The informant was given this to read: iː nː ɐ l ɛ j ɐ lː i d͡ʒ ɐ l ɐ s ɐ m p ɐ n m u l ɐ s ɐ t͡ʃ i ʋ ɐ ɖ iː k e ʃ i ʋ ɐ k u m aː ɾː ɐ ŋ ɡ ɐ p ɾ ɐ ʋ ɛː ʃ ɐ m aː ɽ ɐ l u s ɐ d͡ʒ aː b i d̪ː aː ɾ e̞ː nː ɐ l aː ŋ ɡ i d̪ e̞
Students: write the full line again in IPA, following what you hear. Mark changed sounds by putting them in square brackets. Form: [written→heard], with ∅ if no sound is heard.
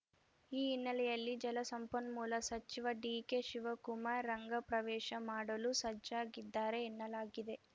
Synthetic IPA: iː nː ɐ l ɛ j ɐ lː i d͡ʒ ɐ l ɐ s ɐ m p ɐ n m [u→uː] l ɐ s ɐ t͡ʃ i ʋ ɐ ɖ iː k e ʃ i ʋ ɐ k u m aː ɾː ɐ ŋ ɡ ɐ p ɾ ɐ ʋ ɛː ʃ ɐ m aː ɽ ɐ l u s ɐ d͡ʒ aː [b→ɡ] i d̪ː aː ɾ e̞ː nː ɐ l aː [ŋ→∅] ɡ i d̪ e̞